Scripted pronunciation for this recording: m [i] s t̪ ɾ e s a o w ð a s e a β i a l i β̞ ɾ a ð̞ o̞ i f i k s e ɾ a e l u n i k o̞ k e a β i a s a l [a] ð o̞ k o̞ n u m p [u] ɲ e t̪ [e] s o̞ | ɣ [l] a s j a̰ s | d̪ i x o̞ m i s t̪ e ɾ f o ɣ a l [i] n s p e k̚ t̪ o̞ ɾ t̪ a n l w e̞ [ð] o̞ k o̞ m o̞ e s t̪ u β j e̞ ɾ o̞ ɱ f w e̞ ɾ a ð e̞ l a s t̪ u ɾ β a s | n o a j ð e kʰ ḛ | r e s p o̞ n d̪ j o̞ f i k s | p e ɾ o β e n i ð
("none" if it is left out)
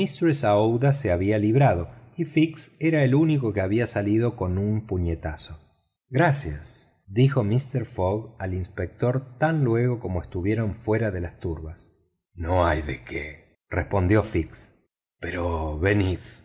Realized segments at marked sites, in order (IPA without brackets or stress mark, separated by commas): i, i, u, a, ɾ, i, ɣ